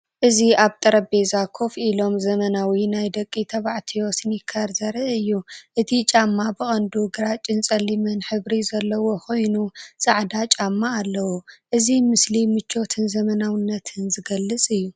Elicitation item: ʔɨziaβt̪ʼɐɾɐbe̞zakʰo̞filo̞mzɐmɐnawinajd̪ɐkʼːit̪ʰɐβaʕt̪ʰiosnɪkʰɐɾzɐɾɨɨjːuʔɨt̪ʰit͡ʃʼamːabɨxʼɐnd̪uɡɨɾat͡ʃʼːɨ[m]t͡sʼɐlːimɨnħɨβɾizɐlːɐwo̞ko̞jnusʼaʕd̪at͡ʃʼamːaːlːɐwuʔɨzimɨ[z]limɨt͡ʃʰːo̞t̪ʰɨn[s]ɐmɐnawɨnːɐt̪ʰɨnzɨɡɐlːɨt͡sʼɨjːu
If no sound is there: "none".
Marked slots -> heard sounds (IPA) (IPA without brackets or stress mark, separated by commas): n, s, z